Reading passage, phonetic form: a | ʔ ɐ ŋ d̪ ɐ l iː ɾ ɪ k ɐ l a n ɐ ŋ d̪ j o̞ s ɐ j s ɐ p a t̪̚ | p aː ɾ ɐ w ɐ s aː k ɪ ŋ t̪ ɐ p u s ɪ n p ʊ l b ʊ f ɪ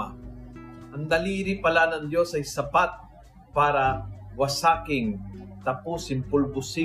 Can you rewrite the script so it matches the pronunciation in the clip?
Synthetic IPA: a | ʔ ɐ ŋ d̪ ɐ l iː ɾ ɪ p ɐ l a n ɐ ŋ d̪ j o̞ s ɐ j s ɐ p a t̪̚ | p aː ɾ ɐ w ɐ s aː k ɪ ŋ t̪ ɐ p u s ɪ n p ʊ l b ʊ s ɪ